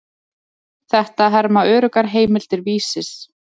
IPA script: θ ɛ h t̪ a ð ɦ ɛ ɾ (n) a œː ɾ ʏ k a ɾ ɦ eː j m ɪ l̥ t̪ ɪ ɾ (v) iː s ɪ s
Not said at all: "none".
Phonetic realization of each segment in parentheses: m, v

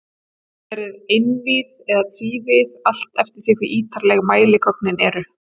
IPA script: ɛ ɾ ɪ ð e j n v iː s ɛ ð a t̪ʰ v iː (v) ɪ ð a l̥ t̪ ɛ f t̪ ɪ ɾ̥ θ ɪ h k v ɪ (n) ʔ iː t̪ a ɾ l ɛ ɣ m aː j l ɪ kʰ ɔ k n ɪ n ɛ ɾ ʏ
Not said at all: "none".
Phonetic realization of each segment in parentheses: v, none

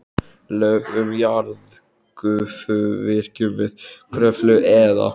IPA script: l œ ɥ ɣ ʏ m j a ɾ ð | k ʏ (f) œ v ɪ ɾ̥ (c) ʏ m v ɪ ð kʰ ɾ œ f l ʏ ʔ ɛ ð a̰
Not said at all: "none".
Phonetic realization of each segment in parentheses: f, c

